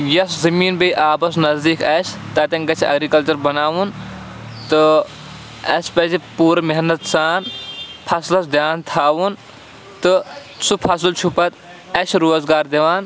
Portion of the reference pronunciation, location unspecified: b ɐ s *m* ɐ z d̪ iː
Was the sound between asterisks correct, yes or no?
no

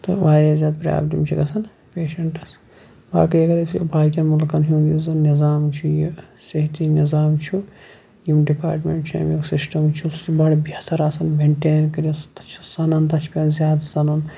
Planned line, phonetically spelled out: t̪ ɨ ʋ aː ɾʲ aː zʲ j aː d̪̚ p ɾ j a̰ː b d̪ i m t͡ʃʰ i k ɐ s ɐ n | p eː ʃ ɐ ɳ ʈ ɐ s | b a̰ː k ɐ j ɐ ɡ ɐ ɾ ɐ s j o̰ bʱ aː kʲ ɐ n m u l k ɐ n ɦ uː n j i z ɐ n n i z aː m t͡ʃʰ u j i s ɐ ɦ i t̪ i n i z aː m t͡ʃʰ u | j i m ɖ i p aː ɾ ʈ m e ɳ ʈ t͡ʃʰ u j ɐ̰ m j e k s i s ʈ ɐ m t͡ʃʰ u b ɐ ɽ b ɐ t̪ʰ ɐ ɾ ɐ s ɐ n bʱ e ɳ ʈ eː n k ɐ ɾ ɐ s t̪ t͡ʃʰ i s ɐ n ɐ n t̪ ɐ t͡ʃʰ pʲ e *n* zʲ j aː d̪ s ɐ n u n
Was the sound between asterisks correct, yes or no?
yes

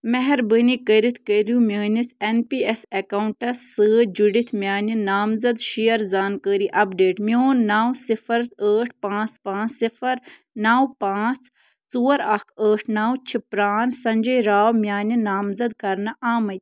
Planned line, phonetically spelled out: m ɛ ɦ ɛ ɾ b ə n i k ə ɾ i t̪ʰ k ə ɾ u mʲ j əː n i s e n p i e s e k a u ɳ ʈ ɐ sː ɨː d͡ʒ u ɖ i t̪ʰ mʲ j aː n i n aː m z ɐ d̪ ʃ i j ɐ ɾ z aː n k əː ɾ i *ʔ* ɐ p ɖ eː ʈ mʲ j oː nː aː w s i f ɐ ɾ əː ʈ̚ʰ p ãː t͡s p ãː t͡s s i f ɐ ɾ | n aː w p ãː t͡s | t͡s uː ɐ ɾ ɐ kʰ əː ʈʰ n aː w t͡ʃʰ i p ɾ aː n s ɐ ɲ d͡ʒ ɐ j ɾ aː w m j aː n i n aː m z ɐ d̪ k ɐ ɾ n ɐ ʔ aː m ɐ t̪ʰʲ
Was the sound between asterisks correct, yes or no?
yes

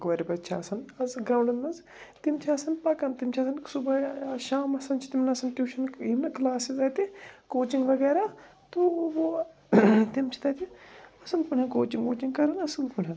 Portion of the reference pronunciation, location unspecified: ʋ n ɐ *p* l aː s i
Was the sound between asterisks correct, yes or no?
no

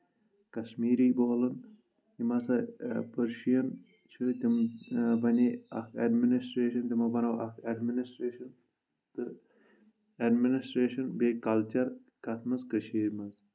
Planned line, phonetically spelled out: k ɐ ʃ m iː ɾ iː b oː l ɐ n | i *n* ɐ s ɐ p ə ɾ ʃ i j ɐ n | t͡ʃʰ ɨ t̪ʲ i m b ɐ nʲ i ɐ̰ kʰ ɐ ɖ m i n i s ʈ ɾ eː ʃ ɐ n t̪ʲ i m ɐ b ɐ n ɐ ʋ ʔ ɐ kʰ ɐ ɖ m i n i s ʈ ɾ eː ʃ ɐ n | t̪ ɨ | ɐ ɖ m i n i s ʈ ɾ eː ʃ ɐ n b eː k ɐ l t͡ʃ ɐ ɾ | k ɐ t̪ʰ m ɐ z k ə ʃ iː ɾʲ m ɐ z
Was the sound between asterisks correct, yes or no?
no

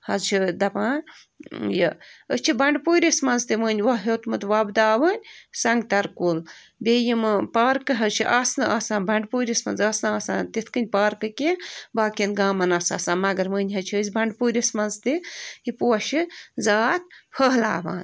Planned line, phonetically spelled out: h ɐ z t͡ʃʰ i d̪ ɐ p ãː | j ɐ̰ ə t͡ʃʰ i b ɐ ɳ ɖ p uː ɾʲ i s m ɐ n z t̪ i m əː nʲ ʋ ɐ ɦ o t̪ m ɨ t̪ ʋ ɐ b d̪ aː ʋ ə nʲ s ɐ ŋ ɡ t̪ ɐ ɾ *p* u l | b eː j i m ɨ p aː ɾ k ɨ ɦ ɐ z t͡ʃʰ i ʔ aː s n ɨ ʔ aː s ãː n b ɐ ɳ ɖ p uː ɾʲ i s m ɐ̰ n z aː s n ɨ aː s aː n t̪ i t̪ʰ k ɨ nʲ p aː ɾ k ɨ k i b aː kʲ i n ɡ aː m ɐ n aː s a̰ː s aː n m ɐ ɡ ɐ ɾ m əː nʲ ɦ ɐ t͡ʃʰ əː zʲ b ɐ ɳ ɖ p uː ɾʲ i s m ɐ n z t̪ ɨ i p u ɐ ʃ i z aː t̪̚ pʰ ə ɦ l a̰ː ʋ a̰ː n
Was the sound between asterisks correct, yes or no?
no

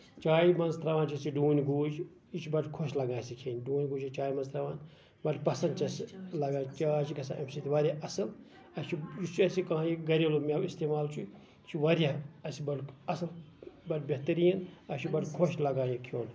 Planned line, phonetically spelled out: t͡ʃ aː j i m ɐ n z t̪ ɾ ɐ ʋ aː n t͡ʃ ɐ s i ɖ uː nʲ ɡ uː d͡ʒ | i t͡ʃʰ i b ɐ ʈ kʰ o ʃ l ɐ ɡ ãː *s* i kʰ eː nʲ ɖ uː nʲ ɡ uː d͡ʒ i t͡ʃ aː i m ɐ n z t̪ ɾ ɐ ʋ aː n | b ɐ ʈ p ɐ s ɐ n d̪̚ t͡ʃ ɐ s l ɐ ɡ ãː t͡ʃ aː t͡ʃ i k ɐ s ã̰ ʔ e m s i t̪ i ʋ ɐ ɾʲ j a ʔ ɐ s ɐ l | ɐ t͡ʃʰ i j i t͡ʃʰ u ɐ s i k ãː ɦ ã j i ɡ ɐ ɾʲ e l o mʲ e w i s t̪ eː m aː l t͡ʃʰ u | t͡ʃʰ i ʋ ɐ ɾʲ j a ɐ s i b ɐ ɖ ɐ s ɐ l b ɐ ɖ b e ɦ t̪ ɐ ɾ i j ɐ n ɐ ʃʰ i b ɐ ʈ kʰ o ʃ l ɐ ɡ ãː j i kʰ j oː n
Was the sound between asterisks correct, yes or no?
yes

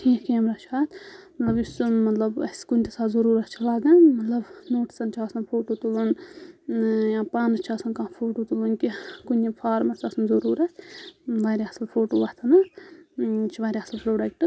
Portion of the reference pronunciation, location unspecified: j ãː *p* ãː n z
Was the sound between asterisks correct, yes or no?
yes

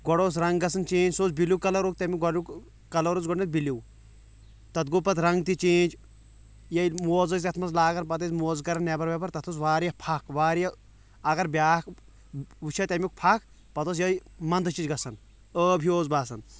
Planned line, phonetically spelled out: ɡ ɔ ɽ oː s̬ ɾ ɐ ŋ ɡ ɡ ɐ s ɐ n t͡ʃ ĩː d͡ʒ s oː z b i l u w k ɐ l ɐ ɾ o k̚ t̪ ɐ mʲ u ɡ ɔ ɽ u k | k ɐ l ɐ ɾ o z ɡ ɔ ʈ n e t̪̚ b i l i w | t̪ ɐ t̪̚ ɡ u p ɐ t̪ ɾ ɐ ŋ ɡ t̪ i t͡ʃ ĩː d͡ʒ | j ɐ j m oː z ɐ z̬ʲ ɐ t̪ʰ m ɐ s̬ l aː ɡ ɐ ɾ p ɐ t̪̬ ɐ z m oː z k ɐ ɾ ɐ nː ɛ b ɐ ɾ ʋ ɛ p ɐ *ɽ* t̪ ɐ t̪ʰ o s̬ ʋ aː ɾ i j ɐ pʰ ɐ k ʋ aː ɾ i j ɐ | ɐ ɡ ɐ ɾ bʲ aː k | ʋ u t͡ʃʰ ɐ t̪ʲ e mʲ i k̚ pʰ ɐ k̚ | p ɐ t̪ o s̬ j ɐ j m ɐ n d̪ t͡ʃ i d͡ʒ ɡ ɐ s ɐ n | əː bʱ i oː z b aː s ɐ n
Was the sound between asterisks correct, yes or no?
no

